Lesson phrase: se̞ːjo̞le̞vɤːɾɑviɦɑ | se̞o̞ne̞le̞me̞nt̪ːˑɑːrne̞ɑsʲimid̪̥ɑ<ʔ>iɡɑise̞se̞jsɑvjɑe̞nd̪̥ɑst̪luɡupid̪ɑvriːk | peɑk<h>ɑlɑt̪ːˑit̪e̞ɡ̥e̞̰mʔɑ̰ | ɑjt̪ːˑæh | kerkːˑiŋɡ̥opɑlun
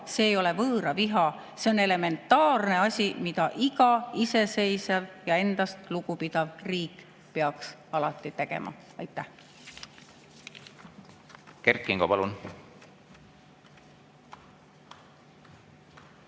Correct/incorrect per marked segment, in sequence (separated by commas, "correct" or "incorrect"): correct, incorrect